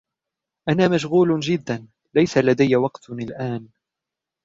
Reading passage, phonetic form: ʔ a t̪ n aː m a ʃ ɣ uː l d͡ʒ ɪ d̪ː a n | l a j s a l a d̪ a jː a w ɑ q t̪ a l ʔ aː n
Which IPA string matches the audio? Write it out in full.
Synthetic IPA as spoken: ʔ a n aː m a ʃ ɣ uː l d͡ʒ ɪ d̪ː a n | l a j s a l a d̪ a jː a w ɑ q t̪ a l ʔ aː n